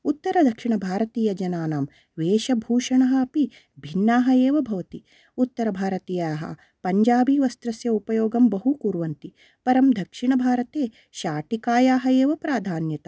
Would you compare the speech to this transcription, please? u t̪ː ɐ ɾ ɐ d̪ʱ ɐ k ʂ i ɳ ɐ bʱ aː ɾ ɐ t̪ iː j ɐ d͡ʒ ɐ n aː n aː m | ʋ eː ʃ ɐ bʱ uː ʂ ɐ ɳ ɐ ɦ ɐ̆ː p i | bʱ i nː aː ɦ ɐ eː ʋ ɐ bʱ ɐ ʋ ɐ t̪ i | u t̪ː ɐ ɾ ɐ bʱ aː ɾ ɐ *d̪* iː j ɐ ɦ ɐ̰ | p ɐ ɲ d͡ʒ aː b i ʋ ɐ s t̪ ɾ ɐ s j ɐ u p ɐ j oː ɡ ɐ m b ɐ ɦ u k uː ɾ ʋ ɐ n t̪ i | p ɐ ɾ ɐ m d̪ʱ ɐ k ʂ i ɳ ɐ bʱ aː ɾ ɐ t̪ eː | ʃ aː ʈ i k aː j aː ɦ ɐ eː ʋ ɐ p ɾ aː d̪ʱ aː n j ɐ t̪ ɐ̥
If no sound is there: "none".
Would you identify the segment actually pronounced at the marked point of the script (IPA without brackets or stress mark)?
t̪